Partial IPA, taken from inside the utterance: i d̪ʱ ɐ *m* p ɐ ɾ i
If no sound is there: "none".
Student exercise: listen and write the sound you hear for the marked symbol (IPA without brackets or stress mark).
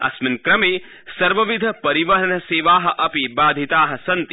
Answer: none